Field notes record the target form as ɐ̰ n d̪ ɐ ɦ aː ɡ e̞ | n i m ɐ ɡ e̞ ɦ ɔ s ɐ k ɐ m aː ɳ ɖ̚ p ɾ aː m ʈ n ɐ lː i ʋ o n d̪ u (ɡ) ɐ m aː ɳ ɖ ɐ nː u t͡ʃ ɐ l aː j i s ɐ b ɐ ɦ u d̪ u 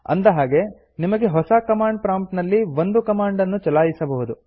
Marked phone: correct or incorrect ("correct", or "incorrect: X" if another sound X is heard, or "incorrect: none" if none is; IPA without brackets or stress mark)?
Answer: incorrect: k